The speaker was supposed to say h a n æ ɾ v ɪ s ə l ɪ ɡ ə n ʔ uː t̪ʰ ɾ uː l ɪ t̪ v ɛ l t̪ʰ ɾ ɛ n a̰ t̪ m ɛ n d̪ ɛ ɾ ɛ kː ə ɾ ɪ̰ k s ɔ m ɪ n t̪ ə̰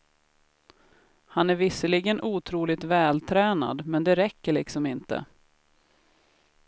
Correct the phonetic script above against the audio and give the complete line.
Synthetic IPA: h a n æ ɾ v ɪ s ə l ɪ ɡ ə n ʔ uː t̪ʰ ɾ uː l ɪ t̪ v ɛː l t̪ʰ ɾ ɛː n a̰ d̪ m ɛ n d̪ ɛ ɾ ɛ kː ə ɭ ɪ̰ k s ɔ m ɪ n t̪ ə̰